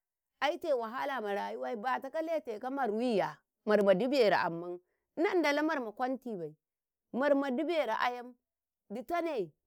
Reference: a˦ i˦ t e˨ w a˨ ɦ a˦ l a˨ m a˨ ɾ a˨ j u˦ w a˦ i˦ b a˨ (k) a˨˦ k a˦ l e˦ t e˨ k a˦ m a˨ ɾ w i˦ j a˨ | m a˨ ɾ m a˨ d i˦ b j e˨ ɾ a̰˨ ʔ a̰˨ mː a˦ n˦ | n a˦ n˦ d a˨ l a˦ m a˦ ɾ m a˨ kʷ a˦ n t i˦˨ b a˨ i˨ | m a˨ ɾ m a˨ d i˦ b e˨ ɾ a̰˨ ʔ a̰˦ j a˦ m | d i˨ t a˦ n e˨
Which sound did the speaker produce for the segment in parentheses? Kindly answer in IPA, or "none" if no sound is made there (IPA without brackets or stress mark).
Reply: t